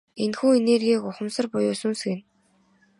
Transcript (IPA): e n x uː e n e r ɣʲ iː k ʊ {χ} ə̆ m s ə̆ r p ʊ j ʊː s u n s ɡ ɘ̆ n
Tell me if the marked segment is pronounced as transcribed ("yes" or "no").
yes